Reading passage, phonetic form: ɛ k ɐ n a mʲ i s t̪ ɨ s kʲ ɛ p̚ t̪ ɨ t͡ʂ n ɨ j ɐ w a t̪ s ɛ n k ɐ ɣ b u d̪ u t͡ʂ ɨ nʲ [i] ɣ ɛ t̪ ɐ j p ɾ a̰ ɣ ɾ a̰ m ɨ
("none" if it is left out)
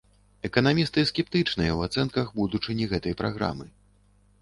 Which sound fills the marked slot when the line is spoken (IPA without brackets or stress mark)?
i